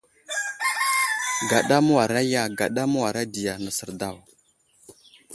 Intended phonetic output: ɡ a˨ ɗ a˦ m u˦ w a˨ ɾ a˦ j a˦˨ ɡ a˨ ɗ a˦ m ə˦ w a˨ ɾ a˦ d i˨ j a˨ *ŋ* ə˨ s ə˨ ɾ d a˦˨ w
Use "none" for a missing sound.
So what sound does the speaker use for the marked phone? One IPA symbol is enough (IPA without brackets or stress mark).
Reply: n